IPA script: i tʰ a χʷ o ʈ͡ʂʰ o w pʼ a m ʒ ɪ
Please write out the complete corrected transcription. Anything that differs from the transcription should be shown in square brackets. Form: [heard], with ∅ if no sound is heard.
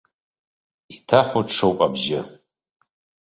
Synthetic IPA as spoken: i tʰ a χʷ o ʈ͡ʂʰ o w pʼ a [b] ʒ ɪ